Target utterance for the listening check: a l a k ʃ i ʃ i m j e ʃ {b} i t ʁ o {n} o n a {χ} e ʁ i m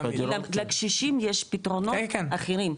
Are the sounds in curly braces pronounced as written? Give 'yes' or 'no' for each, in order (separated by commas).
no, yes, yes